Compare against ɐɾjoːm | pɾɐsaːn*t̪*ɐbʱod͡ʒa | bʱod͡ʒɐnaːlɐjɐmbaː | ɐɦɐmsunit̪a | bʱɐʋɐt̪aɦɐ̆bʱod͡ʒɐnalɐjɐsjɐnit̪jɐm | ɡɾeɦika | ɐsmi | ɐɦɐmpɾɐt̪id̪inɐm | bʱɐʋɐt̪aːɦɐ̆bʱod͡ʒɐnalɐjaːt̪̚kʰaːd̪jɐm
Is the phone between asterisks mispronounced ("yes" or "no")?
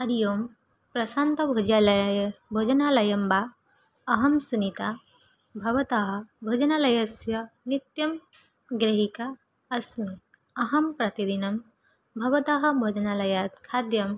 no